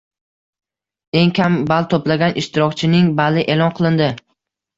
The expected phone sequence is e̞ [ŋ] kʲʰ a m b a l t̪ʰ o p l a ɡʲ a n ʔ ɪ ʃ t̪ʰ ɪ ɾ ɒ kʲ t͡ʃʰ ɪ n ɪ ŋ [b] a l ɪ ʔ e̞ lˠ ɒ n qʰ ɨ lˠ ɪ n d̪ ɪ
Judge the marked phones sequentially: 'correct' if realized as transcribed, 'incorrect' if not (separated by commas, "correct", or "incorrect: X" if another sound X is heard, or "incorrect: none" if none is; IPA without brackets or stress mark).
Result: correct, correct